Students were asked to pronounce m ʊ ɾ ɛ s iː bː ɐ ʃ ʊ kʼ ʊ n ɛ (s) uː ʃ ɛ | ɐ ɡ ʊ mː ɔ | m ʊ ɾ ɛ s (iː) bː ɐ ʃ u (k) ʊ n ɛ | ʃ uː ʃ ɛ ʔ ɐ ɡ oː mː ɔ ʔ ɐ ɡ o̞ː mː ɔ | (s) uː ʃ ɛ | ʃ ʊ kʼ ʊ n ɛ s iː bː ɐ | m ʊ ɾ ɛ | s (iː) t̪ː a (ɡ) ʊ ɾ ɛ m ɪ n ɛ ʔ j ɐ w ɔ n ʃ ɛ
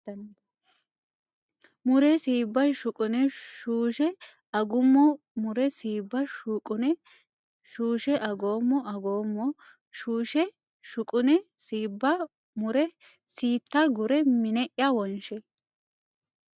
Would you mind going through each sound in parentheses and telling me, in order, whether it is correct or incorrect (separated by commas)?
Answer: incorrect, correct, incorrect, incorrect, correct, correct